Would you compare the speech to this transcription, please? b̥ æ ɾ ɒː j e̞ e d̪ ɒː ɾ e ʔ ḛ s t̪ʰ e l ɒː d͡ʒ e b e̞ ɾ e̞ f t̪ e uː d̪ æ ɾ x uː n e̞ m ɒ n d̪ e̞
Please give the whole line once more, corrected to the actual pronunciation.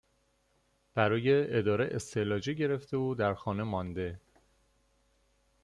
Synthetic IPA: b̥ æ ɾ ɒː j e̞ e d̪ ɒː ɾ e ʔ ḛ s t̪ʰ e l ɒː d͡ʒ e ɟ e̞ ɾ e̞ f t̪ e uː d̪ æ ɾ x ɒː n e̞ m ɒ n d̪ e̞